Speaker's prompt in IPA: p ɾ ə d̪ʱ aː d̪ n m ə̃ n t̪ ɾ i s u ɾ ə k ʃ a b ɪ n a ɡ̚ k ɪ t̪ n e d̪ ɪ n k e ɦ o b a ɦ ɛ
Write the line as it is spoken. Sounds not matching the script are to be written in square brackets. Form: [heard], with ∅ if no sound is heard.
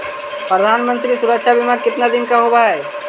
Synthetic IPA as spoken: p ɾ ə d̪ʱ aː [∅] n m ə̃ n t̪ ɾ i s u ɾ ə k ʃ a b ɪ [m] a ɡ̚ k ɪ t̪ n [a] d̪ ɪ n k [a] ɦ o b a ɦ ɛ